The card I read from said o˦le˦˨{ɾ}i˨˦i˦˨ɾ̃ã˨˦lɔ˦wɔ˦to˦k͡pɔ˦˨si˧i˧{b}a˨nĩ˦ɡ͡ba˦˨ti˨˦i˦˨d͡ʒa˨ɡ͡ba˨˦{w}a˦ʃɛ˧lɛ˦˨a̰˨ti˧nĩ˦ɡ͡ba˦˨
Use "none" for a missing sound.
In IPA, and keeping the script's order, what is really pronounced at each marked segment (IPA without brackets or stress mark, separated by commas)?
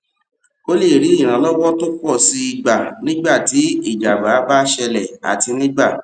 ɾ, ɡ͡b, b